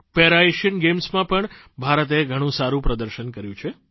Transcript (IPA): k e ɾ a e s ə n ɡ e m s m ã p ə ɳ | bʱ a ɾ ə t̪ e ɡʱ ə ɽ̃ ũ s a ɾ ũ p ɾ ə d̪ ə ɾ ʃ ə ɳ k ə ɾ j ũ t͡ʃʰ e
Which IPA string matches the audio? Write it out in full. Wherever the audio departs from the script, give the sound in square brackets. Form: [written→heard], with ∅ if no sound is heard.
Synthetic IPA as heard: [k→p] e ɾ a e [s→ʃ] ə n ɡ e m s m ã p ə ɳ | bʱ a ɾ ə t̪ e ɡʱ ə ɽ̃ ũ s a ɾ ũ p ɾ ə d̪ ə ɾ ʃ ə [ɳ→n] k ə ɾ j ũ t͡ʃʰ e